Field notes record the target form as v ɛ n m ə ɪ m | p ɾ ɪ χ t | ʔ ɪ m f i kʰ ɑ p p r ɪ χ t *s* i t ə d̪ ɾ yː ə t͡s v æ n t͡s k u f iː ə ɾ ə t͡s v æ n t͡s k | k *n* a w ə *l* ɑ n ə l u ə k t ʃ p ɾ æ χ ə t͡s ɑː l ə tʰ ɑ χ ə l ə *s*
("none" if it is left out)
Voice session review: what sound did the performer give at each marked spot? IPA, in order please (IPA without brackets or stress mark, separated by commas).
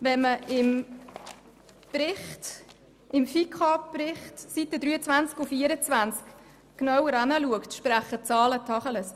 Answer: s, n, ɾ, s